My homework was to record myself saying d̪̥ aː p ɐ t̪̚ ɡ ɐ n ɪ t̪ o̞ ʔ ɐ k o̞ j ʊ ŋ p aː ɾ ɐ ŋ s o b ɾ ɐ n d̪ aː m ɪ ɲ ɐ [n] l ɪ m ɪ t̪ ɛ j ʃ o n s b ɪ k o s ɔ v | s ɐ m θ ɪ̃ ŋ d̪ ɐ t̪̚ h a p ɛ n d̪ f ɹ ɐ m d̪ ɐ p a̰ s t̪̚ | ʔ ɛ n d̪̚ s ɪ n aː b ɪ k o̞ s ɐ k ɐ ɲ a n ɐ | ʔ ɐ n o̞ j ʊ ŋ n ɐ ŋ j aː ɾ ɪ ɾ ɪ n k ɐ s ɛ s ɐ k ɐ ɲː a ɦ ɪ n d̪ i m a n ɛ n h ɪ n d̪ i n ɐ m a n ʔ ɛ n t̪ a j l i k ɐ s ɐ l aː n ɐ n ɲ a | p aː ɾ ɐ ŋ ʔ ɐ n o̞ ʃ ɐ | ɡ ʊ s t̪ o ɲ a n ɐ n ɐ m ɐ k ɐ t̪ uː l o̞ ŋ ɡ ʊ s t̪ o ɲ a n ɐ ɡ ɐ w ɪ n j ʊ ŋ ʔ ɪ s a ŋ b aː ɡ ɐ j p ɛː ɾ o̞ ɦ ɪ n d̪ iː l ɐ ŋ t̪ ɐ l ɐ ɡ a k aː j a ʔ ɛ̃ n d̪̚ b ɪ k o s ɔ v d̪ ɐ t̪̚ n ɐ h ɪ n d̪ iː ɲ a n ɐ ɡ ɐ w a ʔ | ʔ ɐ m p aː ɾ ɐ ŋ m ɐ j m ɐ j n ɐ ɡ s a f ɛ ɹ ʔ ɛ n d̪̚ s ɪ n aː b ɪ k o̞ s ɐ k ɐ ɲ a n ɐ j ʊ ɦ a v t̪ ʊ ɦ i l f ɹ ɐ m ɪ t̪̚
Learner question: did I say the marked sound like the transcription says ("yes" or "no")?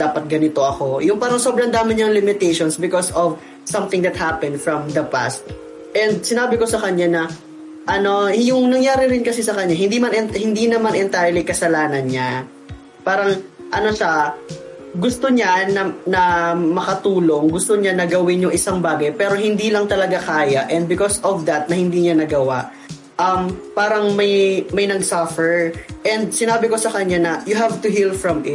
no